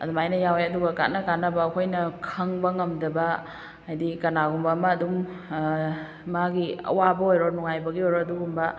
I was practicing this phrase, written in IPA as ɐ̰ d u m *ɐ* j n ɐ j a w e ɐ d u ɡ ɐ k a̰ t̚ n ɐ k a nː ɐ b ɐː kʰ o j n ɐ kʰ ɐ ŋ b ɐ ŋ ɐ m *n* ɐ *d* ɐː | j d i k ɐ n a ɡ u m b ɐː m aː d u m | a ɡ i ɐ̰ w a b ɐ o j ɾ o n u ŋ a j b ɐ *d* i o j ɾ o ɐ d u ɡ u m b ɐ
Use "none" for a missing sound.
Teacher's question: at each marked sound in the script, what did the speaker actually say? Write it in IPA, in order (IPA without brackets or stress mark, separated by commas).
a, d, b, ɡ